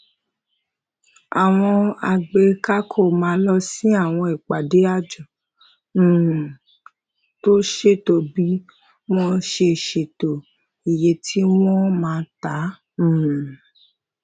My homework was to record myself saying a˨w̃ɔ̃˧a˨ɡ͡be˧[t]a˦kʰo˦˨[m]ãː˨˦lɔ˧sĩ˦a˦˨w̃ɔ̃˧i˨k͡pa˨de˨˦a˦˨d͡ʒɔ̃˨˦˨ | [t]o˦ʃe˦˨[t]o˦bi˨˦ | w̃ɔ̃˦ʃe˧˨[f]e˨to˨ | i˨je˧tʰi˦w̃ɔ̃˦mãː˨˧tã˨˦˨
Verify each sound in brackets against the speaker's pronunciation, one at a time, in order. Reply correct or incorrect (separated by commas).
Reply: incorrect, correct, correct, correct, incorrect